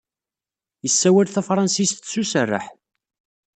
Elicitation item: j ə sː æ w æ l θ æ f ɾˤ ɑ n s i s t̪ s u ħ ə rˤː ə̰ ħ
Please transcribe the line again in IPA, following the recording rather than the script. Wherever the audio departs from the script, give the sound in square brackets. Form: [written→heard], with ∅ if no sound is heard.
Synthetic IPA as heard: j ə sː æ w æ l θ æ f ɾˤ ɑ n s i s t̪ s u [ħ→s] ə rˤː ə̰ ħ